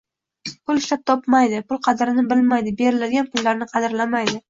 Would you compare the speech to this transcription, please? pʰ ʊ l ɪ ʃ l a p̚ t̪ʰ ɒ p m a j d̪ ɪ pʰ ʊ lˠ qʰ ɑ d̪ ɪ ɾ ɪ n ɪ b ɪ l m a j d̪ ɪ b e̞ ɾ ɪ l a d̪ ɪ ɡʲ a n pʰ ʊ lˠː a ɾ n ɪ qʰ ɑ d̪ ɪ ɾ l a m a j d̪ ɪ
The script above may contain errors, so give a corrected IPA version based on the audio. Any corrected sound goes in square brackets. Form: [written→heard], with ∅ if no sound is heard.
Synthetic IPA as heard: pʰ ʊ l ɪ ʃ l a p̚ t̪ʰ ɒ p m a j d̪ ɪ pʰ ʊ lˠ qʰ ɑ d̪ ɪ ɾ ɪ n ɪ b ɪ l m a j d̪ ɪ b e̞ ɾ ɪ l a d̪ ɪ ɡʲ a n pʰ ʊ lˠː a ɾ n ɪ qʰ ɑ d̪ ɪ ɾ l a m a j d̪ ɪ